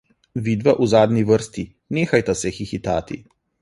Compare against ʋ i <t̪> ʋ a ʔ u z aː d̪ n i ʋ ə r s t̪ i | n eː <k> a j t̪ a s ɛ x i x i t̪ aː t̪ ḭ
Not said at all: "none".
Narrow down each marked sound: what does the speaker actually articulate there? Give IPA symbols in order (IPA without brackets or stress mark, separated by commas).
d̪, x